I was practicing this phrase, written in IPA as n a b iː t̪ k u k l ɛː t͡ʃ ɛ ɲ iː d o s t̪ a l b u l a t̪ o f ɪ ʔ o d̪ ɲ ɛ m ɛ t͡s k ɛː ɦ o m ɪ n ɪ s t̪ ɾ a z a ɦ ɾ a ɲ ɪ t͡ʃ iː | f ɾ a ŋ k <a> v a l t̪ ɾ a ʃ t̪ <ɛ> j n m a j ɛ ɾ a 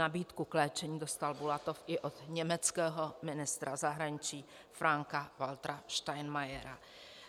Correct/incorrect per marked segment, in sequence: correct, incorrect: a

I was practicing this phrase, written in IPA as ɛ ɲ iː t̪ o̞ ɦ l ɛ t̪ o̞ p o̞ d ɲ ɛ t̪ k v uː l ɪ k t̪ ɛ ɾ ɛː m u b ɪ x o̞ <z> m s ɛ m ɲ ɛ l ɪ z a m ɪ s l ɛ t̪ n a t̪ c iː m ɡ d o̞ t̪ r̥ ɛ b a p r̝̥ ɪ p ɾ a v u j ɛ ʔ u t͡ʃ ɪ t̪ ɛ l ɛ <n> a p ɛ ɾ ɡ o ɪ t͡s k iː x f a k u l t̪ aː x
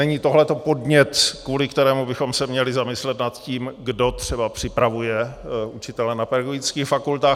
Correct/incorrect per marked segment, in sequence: incorrect: none, correct

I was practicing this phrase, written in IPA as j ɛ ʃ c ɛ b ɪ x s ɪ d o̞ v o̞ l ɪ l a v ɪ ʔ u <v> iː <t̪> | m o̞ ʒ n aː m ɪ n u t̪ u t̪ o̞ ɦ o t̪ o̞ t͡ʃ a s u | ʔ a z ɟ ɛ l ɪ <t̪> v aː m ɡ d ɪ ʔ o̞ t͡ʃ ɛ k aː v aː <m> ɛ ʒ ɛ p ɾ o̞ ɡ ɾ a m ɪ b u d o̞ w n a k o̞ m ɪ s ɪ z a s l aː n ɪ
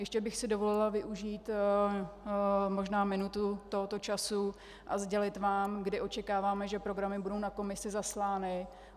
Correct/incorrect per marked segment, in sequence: incorrect: ʒ, correct, correct, correct

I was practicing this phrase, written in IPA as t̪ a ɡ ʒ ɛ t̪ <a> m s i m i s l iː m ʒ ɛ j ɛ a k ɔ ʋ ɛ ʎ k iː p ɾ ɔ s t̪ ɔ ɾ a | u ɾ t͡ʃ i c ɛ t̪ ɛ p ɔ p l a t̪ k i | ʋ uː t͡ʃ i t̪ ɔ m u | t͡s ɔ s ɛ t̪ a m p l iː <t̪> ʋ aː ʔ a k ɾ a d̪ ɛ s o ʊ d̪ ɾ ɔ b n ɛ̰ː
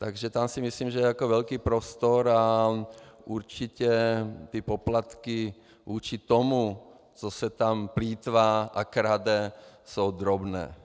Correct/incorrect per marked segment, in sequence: correct, correct

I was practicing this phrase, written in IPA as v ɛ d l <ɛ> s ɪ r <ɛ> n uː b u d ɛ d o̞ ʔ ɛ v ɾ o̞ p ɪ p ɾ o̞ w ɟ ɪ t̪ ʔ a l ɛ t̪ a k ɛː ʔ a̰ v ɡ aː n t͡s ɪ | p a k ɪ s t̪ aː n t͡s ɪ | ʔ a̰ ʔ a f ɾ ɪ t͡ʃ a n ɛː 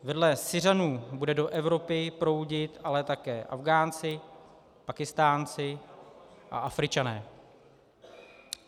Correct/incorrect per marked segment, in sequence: correct, incorrect: a

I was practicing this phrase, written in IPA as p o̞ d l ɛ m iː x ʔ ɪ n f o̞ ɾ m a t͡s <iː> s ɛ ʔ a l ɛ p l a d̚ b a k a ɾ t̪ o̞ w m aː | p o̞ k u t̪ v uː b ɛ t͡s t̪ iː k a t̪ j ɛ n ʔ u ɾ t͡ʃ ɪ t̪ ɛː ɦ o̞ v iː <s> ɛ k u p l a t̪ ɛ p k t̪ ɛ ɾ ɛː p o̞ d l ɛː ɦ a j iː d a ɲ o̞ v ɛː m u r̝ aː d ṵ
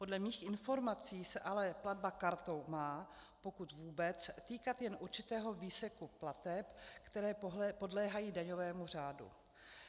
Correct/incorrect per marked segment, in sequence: correct, correct

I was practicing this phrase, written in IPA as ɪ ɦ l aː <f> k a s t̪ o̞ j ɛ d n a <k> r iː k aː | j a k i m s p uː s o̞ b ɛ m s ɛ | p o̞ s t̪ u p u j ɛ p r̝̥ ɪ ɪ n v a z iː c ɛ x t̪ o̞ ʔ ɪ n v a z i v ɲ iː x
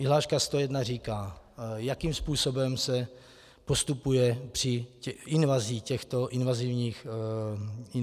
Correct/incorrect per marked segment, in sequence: incorrect: ʃ, incorrect: none

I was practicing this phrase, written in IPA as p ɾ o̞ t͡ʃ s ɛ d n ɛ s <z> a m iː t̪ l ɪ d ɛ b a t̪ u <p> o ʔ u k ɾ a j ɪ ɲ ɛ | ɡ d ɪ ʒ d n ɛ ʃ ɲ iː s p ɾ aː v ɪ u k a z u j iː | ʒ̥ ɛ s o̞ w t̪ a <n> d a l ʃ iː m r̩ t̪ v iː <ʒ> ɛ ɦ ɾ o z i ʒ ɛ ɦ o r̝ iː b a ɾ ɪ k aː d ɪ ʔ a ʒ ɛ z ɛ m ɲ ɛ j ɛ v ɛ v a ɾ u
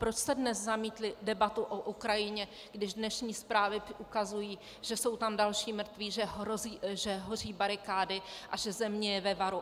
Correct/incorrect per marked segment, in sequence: correct, incorrect: ʔ, incorrect: m, correct

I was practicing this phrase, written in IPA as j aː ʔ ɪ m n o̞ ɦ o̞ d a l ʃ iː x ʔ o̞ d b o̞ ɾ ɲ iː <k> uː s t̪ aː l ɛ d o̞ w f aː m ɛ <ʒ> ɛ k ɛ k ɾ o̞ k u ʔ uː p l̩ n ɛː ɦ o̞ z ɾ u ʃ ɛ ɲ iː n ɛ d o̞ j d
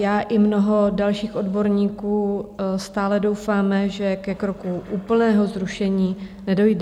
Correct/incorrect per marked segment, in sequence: correct, correct

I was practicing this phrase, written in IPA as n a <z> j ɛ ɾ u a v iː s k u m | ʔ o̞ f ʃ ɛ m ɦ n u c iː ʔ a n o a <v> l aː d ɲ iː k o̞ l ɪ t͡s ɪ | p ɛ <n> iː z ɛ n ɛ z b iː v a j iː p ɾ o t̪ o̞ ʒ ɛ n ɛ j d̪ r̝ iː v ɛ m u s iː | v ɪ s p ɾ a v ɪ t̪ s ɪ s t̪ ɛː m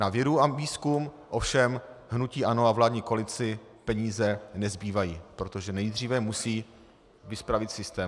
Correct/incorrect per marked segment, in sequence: incorrect: v, correct, incorrect: ɲ

